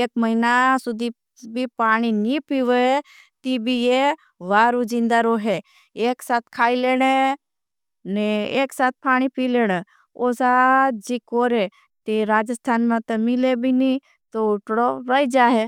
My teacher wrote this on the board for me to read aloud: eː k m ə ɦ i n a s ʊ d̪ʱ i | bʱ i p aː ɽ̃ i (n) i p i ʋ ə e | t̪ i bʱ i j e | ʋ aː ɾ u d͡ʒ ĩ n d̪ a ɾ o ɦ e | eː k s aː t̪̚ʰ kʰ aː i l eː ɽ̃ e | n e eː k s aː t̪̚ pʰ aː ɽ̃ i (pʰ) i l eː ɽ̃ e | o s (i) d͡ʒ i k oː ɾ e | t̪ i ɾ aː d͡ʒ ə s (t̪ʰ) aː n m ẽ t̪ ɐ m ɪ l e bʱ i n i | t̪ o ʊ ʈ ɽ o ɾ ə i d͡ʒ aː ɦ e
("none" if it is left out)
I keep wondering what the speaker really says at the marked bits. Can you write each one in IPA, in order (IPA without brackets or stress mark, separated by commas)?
n, p, a, t̪ʰ